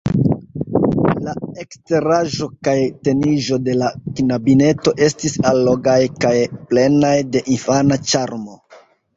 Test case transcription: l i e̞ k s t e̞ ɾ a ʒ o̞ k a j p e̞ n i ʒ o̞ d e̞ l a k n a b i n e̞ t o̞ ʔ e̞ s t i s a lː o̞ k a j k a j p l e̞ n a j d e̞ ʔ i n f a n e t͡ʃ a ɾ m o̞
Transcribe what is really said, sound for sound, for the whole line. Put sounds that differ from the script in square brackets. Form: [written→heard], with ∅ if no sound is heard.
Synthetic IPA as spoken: l [i→a] e̞ k s t e̞ ɾ a ʒ o̞ k a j [p→t] e̞ n i ʒ o̞ d e̞ l a k n a b i n e̞ t o̞ ʔ e̞ s t i s a lː o̞ [k→ɡ] a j k a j p l e̞ n a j d e̞ ʔ i n f a n [e→a] t͡ʃ a ɾ m o̞